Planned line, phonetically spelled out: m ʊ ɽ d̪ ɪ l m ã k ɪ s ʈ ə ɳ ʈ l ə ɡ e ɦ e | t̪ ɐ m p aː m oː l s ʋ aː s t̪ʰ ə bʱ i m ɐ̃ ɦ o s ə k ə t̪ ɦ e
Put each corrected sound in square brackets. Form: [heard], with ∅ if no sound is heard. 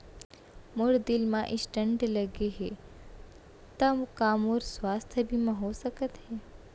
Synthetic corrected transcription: m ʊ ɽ d̪ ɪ l m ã [ʔ] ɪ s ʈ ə ɳ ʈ l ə ɡ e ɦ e | t̪ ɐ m [k] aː m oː [ɾ] s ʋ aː s t̪ʰ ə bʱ i m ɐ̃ ɦ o s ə k ə t̪ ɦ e